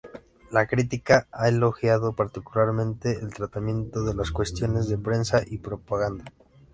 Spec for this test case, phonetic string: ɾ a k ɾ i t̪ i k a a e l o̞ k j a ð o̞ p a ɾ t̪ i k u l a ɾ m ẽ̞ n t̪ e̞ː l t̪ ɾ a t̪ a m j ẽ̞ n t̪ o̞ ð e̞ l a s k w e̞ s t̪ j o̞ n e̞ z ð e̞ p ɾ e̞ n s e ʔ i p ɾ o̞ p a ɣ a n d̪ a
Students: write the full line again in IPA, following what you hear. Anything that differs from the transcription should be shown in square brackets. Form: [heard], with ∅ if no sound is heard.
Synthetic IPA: [l] a k ɾ i t̪ i k a a e l o̞ [x] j a ð o̞ p a ɾ t̪ i k u l a ɾ m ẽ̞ n t̪ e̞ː l t̪ ɾ a t̪ a m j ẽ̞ n t̪ o̞ ð e̞ l a s k w e̞ s t̪ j o̞ n e̞ z ð e̞ p ɾ e̞ n s [a] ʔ i p ɾ o̞ p a ɣ a n d̪ a